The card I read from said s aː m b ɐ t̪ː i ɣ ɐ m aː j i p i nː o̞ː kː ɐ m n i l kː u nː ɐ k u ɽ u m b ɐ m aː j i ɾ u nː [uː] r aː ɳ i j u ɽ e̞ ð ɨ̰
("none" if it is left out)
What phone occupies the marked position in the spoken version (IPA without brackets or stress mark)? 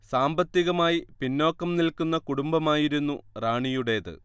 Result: u